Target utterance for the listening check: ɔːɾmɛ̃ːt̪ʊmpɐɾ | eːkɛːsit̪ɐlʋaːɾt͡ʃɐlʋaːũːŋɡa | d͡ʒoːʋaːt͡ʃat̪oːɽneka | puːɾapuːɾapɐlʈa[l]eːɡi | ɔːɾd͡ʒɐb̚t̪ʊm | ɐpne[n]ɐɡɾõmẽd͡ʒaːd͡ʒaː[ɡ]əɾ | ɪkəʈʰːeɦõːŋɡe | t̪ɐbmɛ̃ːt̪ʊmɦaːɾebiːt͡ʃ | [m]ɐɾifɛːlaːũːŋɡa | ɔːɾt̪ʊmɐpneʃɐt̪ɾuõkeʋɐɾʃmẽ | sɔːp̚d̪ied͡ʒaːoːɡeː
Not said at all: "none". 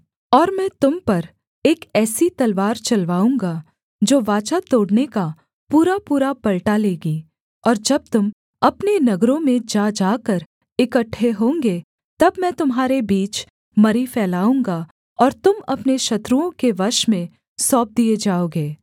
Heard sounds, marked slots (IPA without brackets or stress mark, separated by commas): l, n, k, m